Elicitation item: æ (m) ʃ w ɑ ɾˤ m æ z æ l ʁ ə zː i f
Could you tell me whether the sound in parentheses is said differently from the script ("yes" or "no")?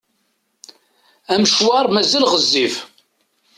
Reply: no